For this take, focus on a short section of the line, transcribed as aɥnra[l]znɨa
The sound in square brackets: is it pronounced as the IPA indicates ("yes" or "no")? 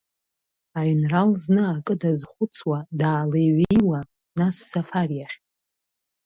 yes